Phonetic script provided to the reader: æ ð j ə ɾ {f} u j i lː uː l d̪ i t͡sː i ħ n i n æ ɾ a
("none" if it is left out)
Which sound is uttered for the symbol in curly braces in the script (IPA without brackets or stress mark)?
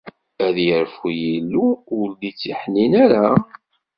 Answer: f